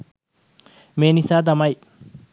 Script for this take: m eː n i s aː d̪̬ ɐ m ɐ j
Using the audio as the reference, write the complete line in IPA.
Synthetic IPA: m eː n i s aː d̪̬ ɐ m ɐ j